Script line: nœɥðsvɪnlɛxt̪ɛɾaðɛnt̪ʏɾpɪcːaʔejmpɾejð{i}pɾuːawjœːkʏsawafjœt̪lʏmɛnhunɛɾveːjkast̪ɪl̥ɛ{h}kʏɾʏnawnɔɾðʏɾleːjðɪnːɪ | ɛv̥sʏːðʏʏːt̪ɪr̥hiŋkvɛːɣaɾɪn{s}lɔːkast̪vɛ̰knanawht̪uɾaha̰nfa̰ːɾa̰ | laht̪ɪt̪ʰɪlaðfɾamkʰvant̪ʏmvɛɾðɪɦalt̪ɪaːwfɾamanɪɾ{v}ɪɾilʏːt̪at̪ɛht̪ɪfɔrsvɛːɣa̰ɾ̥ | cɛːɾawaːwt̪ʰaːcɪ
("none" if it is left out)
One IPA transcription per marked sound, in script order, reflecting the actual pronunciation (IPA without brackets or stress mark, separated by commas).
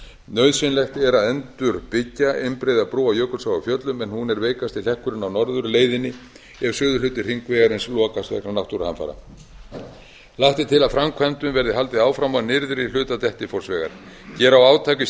a, h, s, ð